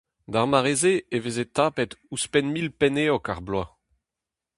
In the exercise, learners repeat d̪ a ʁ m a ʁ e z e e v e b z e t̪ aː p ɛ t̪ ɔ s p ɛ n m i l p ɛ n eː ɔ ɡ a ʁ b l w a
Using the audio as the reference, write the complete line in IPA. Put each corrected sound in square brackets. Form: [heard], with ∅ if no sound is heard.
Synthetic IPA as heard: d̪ a ʁ m a ʁ e z e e v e [∅] z e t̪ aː p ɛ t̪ [u] s p ɛ n m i l p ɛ n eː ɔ [k] a ʁ b l w a